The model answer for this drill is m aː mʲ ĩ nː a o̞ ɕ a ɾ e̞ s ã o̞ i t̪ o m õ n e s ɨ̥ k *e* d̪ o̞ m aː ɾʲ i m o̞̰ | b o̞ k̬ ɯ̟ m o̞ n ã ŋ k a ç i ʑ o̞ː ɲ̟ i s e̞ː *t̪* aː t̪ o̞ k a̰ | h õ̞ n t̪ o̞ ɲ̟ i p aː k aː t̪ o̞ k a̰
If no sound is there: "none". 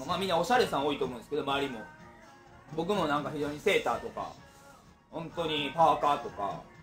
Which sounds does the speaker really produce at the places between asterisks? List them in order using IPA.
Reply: e, t̪

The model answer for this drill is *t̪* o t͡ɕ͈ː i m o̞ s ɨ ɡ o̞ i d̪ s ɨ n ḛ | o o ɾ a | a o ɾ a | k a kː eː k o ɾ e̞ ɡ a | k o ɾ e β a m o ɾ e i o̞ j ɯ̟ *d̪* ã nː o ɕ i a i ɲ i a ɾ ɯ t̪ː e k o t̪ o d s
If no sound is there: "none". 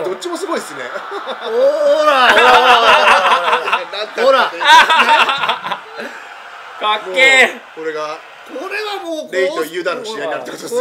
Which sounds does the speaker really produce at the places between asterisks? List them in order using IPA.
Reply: d̪, d̪

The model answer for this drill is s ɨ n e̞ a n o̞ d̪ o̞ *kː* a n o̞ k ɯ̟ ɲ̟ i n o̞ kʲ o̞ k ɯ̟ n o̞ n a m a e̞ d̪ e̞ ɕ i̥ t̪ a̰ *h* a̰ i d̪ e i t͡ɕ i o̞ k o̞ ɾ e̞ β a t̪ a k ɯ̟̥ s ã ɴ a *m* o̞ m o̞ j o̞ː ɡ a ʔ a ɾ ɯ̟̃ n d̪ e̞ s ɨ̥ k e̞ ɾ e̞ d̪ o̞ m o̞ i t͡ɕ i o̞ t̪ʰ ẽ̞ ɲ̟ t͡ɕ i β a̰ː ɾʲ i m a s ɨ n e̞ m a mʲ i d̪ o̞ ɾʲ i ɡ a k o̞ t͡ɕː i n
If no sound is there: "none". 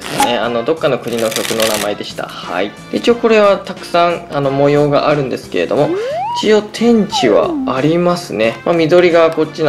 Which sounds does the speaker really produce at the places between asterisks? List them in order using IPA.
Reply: kː, h, n

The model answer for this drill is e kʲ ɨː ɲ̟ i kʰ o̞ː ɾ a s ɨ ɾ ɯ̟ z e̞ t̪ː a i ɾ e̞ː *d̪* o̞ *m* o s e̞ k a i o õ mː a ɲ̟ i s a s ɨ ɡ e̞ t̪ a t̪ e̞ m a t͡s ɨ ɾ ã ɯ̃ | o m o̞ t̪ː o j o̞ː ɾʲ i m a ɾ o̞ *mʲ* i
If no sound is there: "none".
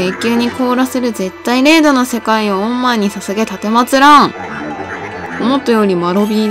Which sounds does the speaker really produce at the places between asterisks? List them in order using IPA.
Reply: d̪, n, bʲ

